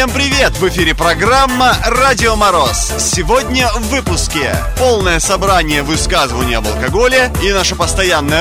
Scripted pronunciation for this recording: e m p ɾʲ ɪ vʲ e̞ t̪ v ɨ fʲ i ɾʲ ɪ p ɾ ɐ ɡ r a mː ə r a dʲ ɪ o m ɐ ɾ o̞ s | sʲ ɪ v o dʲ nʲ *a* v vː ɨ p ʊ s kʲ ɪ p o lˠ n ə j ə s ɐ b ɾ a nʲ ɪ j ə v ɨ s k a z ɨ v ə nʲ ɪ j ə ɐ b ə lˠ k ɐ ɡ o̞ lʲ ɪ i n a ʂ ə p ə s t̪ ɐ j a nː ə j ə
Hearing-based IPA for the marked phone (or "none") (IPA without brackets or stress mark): ə